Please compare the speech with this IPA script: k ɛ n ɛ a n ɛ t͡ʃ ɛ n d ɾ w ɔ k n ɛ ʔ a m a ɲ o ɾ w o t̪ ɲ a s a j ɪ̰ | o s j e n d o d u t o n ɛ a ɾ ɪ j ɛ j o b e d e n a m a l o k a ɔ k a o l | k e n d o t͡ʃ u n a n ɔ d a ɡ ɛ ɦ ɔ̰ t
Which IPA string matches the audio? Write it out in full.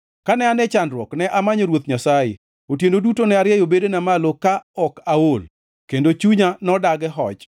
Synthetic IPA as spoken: k a n ɛ a n ɛ t͡ʃ a n d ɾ w ɔ k n ɛ ʔ a m a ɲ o ɾ w o t̪ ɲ a s a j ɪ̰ | o t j e n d o d u t o n ɛ a ɾ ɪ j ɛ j o b e d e n a m a l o k a ɔ k a o l | k e n d o t͡ʃ u ɲ a n ɔ d a ɡ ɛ ɦ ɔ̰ t͡ʃ